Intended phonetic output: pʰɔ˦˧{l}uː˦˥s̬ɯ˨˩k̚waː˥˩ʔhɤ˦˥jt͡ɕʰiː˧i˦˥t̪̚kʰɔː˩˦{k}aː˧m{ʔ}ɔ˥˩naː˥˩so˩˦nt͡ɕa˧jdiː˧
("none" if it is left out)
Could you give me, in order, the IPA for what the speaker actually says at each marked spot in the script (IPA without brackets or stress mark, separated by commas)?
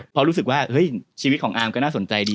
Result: ɾ, ʔ, k